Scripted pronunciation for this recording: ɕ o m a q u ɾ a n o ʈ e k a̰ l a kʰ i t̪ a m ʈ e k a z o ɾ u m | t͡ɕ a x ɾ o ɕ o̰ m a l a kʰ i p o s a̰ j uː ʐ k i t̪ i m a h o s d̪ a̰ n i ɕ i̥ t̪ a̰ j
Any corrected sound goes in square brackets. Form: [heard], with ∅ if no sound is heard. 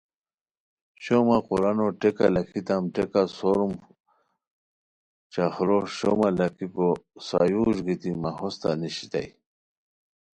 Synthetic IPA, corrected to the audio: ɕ o m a q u ɾ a n o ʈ e k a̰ l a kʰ i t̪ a m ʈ e k a [s] o ɾ u m | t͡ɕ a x ɾ o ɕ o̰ m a l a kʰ i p o s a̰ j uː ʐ [ɡ] i t̪ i m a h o s [t̪] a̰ n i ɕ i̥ t̪ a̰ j